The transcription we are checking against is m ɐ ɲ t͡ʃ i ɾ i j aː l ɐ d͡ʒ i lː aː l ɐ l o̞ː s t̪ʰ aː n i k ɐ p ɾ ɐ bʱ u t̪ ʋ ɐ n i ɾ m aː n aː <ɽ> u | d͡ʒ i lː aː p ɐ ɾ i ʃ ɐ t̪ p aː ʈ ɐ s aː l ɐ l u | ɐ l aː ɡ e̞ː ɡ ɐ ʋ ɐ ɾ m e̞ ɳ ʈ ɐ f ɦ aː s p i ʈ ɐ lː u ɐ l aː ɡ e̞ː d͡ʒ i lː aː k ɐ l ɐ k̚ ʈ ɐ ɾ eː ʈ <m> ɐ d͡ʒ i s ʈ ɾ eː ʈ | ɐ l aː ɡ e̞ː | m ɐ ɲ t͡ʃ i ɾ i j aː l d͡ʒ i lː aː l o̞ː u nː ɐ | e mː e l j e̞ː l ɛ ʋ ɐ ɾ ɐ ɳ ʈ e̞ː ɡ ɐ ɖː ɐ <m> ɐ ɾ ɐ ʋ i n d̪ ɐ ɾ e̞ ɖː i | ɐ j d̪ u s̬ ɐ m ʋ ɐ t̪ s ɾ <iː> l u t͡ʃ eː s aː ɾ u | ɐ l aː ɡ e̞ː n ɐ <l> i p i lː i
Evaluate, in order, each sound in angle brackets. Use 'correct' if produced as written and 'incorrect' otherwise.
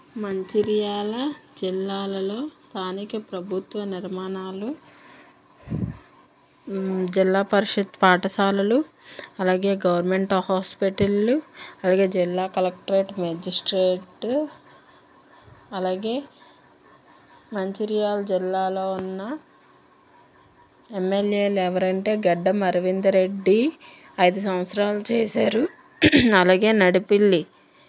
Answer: incorrect: l, correct, correct, incorrect: aː, incorrect: ɽ

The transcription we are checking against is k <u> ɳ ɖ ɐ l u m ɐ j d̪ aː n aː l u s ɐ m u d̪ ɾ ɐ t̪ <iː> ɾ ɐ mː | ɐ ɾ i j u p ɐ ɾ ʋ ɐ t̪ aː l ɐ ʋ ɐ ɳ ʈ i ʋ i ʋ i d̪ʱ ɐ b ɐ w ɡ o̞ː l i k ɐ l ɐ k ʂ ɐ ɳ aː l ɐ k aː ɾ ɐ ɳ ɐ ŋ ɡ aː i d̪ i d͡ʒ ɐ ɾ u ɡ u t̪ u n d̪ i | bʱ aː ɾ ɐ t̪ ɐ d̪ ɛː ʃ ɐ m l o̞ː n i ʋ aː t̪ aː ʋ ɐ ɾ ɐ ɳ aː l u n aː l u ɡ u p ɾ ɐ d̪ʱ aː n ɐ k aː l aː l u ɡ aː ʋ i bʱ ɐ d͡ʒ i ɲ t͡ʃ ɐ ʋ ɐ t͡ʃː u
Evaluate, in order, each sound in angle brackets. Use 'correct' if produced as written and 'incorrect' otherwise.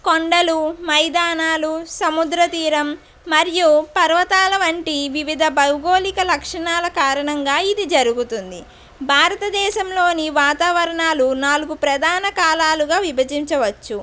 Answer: incorrect: o, correct

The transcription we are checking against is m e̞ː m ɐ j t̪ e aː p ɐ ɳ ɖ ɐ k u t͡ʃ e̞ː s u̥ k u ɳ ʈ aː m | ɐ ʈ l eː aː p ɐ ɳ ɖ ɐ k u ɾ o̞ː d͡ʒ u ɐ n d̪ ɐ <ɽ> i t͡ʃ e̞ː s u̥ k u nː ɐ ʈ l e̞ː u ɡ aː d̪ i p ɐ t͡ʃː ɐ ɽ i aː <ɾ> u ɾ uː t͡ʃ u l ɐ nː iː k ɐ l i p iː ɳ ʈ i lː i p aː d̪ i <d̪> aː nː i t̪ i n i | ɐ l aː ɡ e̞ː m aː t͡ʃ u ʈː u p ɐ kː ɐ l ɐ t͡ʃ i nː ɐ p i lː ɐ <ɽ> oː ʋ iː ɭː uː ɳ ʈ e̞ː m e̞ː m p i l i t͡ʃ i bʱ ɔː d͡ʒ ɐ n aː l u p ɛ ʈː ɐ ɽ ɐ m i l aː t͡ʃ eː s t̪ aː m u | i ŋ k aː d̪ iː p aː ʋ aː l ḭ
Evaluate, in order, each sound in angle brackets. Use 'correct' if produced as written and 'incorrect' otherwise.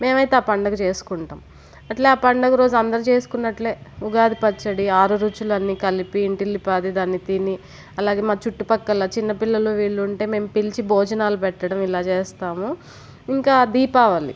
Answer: incorrect: ɾ, correct, correct, incorrect: l

